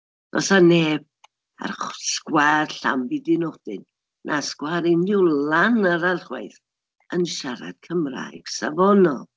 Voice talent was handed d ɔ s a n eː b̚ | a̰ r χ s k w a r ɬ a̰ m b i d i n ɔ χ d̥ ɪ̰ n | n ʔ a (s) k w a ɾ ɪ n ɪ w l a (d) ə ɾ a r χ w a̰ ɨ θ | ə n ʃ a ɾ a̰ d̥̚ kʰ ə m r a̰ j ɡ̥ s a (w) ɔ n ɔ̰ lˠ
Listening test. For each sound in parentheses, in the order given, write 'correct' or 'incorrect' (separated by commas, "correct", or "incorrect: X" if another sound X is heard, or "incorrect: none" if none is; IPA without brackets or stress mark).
correct, incorrect: n, incorrect: v